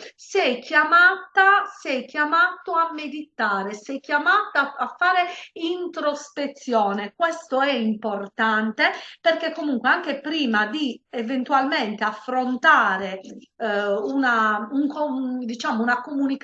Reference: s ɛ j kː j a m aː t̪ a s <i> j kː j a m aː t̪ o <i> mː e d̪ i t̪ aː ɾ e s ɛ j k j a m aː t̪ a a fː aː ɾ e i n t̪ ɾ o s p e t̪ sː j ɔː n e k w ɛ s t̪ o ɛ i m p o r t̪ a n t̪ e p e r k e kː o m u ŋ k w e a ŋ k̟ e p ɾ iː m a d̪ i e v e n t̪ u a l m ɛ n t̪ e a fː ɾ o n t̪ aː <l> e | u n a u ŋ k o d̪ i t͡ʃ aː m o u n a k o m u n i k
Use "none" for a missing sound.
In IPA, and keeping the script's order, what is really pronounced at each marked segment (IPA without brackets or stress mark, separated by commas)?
ɛ, a, ɾ